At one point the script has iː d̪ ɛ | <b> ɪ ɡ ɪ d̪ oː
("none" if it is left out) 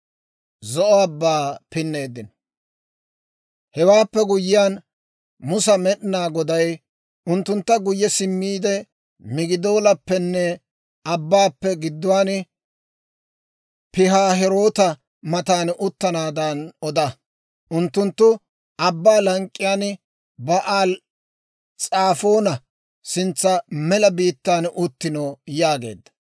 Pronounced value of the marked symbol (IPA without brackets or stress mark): m